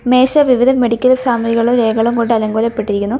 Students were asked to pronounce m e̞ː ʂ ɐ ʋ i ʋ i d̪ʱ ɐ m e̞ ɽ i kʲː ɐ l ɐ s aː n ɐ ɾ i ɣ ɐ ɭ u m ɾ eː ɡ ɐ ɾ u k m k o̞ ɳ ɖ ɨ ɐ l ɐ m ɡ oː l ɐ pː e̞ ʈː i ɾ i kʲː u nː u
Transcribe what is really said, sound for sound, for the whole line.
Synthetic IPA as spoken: m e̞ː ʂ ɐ ʋ i ʋ i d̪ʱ ɐ m e̞ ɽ i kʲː ɐ l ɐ s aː m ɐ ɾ i ɣ ɐ ɭ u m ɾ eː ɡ ɐ ɭ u m k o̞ ɳ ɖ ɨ ɐ l ɐ ŋ ɡ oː l ɐ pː e̞ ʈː i ɾ i kʲː u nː u